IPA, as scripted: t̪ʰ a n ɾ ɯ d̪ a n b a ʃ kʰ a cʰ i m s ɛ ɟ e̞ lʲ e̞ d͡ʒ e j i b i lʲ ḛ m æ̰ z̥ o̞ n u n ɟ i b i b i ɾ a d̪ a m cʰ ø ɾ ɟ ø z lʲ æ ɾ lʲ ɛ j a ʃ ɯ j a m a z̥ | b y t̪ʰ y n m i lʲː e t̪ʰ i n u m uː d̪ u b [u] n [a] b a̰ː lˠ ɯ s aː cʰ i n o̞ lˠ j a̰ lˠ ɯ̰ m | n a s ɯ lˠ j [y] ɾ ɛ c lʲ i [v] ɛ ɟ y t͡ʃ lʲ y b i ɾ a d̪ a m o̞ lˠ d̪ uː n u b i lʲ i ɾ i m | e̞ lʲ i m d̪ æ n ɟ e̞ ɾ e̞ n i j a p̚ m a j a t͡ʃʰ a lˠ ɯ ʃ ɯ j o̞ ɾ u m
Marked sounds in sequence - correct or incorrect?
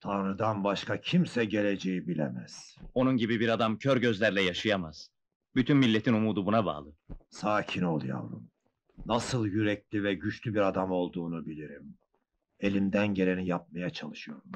correct, correct, correct, correct

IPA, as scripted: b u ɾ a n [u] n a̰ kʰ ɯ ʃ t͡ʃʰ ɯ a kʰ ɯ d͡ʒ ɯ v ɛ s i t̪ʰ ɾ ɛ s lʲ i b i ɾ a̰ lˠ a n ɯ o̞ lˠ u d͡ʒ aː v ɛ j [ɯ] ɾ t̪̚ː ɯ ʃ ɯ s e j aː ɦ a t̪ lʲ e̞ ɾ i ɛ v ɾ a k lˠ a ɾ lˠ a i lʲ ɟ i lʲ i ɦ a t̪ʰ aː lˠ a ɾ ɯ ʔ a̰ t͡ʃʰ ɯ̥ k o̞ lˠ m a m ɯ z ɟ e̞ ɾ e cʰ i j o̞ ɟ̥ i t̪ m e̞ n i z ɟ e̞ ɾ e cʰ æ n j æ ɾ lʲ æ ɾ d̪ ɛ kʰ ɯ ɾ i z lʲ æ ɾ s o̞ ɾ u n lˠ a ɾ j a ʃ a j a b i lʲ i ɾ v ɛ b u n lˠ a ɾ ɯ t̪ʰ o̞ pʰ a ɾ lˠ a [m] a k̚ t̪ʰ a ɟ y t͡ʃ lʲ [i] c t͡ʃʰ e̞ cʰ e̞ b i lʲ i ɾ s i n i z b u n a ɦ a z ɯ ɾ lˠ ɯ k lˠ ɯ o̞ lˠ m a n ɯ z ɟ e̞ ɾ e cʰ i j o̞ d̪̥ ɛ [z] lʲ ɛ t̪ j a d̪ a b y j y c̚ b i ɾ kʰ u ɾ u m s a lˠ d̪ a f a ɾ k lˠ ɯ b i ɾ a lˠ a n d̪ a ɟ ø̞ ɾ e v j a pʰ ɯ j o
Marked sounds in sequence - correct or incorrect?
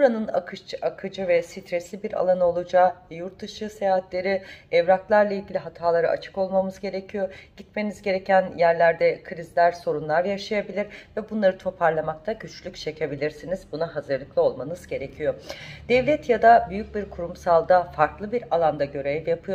incorrect, incorrect, correct, incorrect, incorrect

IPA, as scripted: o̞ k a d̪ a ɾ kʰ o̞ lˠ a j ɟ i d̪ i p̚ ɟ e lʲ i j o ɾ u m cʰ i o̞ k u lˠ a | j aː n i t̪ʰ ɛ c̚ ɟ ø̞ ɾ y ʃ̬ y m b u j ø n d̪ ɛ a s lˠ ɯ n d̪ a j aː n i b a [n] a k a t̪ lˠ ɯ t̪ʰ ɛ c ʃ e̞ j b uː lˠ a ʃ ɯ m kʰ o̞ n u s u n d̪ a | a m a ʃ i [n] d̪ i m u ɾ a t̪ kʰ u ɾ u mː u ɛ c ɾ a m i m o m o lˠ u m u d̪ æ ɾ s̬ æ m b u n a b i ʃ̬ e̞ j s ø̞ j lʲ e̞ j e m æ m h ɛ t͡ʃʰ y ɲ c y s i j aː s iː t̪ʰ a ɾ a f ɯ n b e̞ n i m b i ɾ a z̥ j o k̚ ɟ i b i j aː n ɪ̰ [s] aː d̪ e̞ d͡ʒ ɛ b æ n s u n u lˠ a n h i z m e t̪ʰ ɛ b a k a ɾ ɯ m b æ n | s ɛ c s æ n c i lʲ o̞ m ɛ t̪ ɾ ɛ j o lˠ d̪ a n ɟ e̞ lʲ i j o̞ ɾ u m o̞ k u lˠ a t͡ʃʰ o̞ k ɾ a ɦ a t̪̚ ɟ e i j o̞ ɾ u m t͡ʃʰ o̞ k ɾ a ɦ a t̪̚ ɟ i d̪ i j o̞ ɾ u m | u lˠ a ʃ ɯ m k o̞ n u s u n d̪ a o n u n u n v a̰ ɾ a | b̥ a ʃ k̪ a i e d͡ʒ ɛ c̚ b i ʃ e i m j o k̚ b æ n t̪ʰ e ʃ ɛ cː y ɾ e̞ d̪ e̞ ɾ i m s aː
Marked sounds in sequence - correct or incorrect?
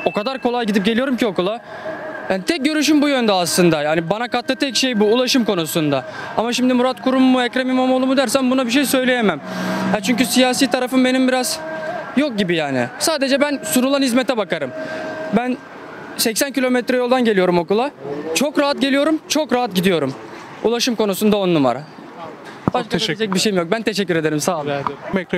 correct, incorrect, correct

